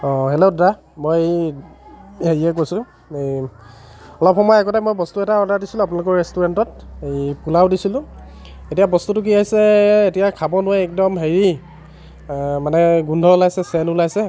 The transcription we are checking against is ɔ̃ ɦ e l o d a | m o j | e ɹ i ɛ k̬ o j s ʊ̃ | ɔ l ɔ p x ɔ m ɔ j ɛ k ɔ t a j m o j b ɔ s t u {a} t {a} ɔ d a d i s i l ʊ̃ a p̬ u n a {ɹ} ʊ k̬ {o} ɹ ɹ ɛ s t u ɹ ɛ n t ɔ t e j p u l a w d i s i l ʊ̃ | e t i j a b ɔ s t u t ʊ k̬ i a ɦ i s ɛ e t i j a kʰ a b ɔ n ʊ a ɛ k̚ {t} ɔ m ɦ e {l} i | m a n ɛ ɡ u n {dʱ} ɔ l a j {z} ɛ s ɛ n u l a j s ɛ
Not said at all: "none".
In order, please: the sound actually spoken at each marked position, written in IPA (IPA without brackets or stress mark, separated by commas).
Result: ɛ, a, l, ɔ, d, ɹ, dʱ, s